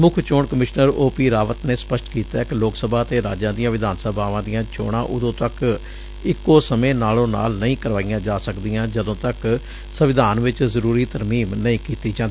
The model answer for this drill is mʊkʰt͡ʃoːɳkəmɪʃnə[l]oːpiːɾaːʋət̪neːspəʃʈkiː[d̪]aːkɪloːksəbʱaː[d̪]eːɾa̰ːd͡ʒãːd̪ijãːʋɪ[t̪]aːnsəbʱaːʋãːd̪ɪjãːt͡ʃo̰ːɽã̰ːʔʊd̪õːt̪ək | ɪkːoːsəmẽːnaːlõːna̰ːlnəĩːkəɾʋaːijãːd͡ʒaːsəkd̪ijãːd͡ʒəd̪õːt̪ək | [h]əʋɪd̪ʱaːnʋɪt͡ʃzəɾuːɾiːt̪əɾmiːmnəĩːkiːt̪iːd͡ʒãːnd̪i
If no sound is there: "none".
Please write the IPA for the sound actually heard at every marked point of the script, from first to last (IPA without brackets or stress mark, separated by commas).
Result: ɾ, t̪, t̪, d̪, s